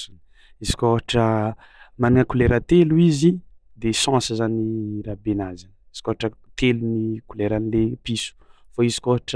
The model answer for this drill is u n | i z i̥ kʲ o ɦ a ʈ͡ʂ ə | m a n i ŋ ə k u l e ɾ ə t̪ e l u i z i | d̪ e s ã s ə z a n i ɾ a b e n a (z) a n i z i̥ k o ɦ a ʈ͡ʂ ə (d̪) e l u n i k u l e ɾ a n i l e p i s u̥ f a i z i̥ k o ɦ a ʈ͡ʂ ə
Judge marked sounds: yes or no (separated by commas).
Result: yes, no